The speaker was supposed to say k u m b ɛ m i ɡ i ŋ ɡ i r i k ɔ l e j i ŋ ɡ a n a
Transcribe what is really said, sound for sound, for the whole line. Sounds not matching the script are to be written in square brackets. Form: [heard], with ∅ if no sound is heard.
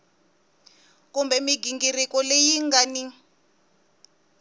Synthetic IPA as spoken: k u m b ɛ m i ɡ i ŋ ɡ i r i k ɔ l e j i ŋ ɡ a n [i]